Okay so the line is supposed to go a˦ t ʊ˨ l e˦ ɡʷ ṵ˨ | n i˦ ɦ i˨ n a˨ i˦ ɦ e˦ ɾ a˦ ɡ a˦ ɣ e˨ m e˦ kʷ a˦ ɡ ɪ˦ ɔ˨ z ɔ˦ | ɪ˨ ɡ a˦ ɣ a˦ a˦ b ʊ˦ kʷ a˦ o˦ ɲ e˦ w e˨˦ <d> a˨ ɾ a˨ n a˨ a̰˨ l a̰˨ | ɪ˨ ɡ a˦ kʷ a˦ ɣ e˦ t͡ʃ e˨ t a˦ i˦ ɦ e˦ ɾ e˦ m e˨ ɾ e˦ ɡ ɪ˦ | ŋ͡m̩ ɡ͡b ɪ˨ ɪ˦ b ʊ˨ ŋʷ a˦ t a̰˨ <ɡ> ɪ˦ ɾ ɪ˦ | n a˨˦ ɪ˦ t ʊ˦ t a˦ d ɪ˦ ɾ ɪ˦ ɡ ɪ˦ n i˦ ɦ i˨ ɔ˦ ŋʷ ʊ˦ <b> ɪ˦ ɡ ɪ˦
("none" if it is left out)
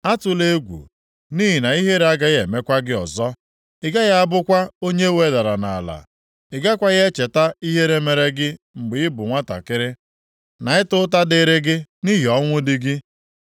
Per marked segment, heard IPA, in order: d, k, d

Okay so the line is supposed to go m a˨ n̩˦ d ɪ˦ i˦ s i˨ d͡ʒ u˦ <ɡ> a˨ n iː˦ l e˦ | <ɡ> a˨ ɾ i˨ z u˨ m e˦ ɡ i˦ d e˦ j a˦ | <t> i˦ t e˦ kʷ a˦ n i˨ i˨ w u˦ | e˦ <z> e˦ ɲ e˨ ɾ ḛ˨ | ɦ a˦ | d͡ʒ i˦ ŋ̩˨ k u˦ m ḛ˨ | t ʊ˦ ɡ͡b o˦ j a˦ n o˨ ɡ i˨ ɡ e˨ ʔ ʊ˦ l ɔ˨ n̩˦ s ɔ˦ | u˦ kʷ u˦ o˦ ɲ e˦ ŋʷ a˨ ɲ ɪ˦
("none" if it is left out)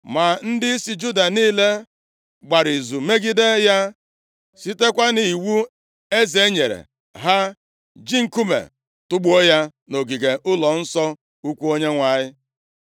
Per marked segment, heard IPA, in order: d, ɡ͡b, s, z

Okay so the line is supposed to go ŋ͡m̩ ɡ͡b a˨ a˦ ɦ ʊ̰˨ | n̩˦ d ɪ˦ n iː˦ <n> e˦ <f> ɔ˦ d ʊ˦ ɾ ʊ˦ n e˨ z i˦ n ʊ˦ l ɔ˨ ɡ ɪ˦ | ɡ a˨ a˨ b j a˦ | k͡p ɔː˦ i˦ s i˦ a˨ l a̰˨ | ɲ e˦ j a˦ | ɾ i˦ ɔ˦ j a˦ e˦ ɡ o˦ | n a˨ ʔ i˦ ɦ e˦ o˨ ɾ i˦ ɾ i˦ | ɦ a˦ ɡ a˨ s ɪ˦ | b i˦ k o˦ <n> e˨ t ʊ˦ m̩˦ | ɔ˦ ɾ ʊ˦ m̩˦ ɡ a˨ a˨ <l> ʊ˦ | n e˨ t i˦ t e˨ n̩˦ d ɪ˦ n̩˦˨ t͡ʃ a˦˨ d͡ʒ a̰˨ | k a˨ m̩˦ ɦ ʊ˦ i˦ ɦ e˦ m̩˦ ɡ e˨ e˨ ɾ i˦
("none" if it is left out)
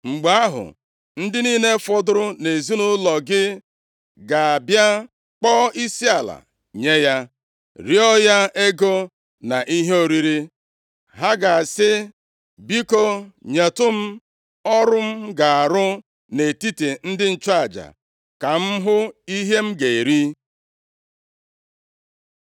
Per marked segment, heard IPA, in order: n, f, ɲ, ɾ

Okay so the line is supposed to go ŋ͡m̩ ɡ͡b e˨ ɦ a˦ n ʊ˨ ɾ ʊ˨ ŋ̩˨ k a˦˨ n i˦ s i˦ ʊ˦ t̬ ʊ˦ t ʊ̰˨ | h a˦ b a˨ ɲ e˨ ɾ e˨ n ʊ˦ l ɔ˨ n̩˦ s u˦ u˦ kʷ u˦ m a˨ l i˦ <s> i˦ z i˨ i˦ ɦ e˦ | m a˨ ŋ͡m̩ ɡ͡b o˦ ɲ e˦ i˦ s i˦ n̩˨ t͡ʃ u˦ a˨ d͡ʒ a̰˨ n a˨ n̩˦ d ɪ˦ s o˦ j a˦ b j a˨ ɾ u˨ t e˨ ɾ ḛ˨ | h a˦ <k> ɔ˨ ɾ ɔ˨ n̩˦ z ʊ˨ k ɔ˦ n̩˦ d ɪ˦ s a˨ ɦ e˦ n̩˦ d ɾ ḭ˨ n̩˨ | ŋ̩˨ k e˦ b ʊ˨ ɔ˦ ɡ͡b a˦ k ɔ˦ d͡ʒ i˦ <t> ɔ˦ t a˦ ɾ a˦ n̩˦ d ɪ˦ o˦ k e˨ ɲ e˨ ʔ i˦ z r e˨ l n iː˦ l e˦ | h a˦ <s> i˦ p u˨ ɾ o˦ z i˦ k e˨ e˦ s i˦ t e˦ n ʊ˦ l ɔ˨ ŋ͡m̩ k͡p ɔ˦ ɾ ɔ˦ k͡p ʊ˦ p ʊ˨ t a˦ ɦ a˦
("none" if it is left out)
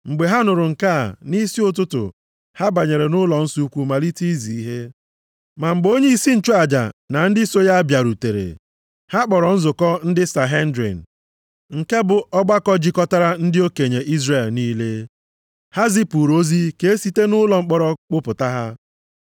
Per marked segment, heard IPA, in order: t, k͡p, k, z

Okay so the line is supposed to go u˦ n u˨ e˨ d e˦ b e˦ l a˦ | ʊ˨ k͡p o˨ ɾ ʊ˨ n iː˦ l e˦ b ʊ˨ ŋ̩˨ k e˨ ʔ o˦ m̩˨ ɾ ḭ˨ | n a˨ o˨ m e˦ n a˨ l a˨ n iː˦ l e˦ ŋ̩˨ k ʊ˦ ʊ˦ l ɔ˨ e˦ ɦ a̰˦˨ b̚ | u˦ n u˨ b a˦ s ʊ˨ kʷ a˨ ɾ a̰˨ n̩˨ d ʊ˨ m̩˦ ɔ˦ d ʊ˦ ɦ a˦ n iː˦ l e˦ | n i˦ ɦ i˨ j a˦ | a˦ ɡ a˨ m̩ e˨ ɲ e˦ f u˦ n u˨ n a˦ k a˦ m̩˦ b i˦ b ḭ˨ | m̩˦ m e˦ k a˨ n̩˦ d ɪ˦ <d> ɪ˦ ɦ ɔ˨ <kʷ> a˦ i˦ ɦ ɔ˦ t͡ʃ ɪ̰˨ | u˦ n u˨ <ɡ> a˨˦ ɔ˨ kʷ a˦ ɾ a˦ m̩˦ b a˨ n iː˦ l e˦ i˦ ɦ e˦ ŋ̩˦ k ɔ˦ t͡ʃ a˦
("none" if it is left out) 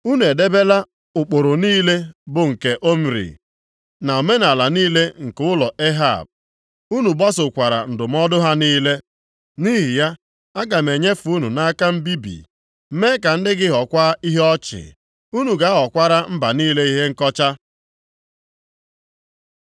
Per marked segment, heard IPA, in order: ɡ, kʷ, ɡ

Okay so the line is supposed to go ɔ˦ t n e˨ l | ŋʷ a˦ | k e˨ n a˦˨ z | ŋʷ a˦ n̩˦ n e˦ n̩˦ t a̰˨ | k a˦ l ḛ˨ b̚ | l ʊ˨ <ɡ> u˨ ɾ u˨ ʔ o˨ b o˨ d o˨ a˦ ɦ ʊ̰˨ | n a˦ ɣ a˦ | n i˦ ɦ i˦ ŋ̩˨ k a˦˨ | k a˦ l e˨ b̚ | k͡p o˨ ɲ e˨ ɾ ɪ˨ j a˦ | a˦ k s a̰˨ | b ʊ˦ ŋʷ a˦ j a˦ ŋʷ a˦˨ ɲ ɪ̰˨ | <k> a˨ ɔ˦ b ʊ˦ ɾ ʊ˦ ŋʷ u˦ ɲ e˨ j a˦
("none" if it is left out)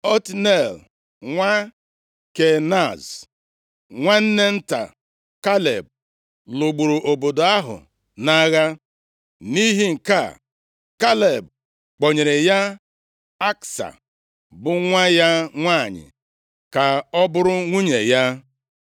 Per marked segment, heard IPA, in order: ɡ͡b, k

